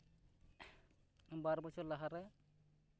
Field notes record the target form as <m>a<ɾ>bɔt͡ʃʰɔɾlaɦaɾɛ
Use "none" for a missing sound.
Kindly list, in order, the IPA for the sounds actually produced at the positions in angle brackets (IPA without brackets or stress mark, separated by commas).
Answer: b, ɾ